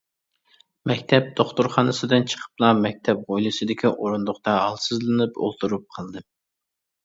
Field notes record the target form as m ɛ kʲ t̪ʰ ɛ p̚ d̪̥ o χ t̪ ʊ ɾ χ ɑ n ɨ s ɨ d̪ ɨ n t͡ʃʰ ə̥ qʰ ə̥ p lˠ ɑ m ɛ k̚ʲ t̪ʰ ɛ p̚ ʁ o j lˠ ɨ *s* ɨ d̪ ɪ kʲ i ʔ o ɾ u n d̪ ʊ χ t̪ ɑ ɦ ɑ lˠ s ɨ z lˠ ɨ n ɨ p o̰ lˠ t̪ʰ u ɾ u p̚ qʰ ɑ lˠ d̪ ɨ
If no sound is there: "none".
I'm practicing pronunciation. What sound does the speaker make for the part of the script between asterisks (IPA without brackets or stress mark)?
s